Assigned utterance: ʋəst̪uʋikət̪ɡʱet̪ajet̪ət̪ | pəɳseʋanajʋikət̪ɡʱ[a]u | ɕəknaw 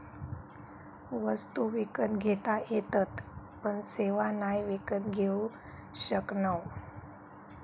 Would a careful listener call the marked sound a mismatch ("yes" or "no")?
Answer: yes